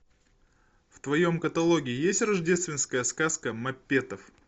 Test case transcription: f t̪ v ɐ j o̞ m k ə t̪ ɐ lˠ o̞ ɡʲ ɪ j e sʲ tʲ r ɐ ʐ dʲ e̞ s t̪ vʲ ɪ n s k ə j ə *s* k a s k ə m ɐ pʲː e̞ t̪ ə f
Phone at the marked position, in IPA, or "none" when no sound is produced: s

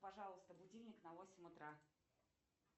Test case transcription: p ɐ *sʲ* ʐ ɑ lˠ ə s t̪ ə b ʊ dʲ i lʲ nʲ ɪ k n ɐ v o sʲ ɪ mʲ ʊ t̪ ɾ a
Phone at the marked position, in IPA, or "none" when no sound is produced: none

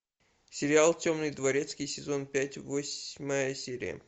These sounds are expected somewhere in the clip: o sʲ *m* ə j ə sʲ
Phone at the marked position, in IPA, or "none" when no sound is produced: m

